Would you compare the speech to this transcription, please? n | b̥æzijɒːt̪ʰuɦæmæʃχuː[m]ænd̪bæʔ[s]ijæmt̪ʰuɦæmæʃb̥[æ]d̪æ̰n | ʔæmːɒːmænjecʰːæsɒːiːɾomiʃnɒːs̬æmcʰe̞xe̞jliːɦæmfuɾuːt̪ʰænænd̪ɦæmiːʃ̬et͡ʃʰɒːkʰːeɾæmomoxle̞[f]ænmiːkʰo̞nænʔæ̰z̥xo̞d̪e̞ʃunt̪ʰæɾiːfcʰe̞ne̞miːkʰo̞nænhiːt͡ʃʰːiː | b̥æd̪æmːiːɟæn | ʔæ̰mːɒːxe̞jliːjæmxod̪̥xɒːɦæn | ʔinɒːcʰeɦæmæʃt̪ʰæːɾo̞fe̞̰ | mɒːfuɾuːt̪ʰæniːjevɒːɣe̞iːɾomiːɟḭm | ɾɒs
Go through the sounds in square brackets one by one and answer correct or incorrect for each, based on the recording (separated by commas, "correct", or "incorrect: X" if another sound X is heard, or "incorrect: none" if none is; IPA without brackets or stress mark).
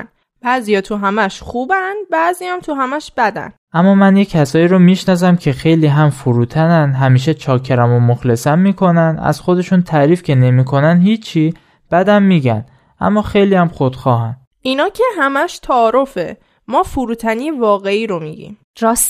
incorrect: b, incorrect: z, correct, incorrect: s